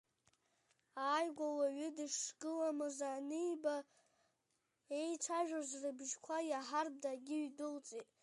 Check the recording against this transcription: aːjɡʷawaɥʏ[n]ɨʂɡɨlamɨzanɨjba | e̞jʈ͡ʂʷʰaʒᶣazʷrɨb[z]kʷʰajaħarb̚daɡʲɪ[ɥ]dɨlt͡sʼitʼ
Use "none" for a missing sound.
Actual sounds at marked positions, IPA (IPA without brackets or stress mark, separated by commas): d, ʒ, ɥ